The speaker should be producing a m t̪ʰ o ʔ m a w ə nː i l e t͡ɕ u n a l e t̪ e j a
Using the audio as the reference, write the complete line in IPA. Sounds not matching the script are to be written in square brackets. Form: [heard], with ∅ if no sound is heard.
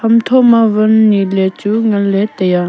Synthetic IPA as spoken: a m t̪ʰ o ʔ m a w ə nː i l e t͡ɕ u [ŋ] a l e t̪ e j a